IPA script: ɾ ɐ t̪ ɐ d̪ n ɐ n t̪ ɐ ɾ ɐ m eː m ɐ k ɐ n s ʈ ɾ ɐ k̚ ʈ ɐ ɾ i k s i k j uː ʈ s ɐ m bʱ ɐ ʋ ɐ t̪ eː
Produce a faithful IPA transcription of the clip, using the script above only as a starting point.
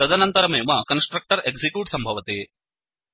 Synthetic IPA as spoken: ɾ ɐ d̪ ɐ n ɐ n t̪ ɐ ɾ ɐ m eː m ɐ k ɐ n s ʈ ɾ ɐ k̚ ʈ ɐ ɾ e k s i k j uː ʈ s ɐ m bʱ ɐ ʋ ɐ t̪ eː